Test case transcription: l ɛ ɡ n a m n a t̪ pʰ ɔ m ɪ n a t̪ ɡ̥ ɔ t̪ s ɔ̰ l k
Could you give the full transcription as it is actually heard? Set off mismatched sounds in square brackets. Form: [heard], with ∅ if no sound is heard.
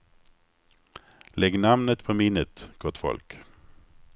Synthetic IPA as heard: l ɛ ɡ n a m n [ə] t̪ pʰ ɔ m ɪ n [ə] t̪ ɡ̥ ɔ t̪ [f] ɔ̰ l k